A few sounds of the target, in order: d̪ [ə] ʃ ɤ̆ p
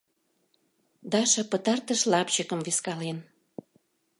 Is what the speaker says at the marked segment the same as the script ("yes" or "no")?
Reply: no